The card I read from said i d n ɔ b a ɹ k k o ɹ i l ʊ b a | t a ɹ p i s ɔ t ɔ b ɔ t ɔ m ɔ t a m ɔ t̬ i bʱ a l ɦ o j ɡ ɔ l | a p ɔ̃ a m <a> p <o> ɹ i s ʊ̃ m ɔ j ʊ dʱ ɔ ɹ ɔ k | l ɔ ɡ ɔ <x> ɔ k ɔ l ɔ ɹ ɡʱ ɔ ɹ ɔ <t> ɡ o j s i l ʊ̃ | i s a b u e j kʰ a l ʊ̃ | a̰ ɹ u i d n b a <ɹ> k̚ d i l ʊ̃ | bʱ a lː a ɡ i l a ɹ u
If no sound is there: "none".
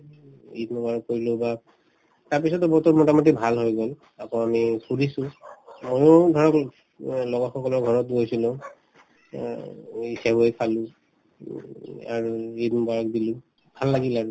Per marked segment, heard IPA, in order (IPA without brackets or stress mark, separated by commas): i, u, x, t, ɹ